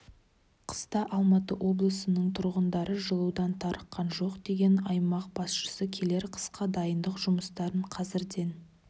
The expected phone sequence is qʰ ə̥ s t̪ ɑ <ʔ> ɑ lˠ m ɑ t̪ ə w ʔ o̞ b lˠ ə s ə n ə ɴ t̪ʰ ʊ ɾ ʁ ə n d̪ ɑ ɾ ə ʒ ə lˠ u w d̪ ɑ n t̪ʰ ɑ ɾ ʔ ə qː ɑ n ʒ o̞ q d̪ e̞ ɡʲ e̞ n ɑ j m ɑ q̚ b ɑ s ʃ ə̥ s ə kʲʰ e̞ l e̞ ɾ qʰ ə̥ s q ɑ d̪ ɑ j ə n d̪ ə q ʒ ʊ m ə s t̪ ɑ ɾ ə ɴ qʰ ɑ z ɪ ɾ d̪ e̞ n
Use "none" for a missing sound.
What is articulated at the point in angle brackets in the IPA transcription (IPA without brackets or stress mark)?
ʔ